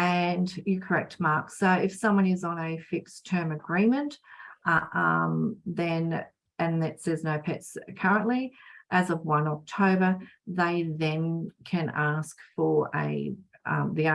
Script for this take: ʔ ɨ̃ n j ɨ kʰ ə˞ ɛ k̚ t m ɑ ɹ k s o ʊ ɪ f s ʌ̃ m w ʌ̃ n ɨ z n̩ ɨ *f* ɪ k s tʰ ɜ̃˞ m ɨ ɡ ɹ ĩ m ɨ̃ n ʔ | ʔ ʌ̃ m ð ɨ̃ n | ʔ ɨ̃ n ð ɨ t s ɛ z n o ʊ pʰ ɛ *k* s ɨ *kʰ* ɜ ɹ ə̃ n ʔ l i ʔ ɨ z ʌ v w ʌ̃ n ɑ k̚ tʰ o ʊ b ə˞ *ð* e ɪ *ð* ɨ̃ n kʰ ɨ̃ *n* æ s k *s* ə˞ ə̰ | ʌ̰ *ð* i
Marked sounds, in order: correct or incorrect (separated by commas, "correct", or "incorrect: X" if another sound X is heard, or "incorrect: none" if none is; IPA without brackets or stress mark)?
correct, incorrect: t, correct, correct, correct, correct, incorrect: f, correct